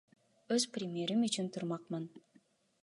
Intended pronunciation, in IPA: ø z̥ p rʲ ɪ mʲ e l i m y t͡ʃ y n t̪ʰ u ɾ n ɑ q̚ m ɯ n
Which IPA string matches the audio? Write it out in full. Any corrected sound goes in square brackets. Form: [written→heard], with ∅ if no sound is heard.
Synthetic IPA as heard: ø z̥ p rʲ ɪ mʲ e [l→ɾ] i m y t͡ʃ y n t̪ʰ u ɾ [n→m] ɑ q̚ m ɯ n